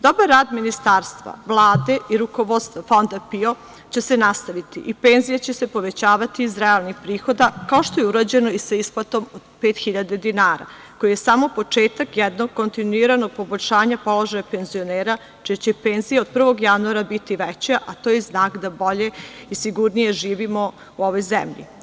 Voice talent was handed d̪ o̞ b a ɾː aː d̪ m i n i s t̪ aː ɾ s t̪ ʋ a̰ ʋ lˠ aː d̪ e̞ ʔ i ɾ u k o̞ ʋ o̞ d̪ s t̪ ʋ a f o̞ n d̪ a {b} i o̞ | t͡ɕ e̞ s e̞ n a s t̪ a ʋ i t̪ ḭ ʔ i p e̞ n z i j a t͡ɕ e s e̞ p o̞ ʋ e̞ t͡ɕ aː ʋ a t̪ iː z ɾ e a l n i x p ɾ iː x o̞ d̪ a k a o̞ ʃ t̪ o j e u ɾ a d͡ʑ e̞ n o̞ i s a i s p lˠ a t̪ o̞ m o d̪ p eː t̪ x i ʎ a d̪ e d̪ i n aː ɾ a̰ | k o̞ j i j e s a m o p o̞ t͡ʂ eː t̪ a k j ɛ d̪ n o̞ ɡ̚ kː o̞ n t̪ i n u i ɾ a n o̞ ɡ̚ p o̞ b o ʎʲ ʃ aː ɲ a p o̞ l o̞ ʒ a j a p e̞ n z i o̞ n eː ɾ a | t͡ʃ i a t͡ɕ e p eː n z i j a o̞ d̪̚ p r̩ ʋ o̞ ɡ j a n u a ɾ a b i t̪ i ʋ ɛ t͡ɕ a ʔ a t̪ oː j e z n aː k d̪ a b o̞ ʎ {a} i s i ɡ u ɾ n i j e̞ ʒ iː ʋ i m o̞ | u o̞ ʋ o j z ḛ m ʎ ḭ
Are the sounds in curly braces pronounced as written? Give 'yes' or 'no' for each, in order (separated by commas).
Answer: no, no